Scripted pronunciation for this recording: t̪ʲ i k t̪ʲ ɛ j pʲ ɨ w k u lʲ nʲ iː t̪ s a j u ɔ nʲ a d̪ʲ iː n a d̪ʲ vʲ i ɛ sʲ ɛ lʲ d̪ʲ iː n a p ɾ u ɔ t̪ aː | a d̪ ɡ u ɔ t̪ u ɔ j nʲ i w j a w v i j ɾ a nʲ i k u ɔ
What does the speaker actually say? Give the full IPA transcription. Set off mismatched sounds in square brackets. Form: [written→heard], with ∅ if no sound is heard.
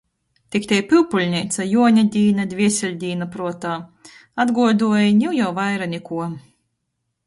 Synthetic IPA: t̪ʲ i k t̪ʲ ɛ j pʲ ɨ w [k→p] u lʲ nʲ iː t̪ s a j u ɔ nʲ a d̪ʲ iː n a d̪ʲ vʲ i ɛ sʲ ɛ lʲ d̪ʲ iː n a p ɾ u ɔ t̪ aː | a d̪ ɡ u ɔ [t̪→d̪] u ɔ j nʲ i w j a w v [i→a] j ɾ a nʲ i k u ɔ